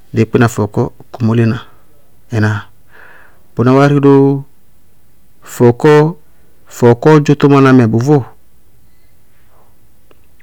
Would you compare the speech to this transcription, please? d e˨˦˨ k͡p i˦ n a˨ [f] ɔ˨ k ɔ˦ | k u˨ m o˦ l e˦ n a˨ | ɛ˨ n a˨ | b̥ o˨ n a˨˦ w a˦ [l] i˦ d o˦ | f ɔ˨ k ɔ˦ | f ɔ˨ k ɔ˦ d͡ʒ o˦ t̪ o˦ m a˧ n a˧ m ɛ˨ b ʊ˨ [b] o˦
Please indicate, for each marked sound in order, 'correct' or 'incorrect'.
correct, incorrect, incorrect

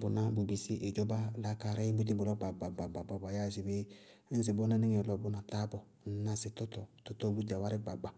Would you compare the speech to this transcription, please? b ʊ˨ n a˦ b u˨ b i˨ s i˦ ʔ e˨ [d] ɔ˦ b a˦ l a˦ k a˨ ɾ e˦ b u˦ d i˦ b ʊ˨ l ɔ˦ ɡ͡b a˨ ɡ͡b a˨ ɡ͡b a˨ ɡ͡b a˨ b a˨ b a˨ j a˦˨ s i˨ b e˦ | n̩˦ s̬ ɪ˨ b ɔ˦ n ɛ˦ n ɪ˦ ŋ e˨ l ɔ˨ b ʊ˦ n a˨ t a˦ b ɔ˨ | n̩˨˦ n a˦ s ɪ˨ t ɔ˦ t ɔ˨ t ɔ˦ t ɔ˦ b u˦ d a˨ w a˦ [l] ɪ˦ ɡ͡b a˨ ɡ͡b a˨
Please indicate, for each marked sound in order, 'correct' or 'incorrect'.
incorrect, incorrect

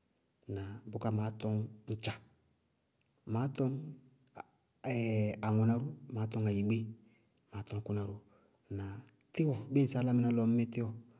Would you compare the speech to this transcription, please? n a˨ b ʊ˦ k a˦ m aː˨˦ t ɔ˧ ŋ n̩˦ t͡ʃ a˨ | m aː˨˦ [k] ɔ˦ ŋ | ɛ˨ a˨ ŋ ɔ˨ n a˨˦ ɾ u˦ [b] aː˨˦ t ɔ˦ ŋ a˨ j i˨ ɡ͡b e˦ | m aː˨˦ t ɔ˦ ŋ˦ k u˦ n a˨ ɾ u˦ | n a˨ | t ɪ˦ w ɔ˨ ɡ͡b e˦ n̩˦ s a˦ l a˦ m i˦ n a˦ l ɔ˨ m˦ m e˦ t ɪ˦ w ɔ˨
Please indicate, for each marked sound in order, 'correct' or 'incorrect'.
incorrect, incorrect

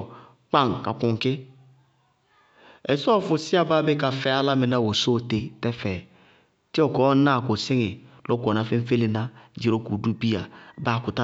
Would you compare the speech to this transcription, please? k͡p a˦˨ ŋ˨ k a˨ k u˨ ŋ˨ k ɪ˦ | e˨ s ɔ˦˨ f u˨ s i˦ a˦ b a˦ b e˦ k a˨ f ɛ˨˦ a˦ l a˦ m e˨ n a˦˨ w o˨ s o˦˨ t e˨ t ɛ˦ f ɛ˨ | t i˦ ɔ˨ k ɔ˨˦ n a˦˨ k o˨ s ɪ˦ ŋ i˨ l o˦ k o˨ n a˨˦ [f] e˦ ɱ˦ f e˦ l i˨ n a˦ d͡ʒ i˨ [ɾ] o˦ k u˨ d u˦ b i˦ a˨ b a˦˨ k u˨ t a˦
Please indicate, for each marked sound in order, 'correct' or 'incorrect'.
correct, correct

